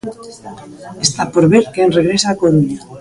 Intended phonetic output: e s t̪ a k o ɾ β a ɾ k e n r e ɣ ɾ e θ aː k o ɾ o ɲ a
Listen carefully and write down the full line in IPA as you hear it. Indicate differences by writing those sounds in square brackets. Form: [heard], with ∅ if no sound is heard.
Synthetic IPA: e s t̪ a [p] o ɾ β [e] ɾ k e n r e ɣ ɾ e [s] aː k o ɾ [u] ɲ a